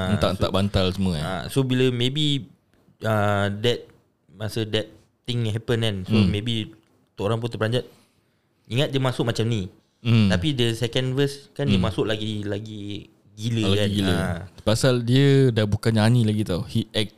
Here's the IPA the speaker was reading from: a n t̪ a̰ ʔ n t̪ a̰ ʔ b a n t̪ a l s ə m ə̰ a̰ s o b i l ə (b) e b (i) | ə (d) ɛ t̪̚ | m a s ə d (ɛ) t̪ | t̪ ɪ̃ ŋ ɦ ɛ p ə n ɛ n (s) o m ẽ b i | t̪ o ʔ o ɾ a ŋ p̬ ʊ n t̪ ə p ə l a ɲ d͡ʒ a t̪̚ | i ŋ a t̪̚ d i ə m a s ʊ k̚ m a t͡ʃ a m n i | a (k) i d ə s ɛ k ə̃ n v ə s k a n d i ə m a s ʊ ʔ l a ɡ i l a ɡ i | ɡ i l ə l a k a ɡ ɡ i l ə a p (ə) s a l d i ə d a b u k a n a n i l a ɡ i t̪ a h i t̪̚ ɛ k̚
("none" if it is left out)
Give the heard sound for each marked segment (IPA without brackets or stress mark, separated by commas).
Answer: m, i, d, ɛ, s, p, a